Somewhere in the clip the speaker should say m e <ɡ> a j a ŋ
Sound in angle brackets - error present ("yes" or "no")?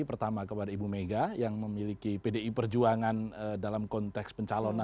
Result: no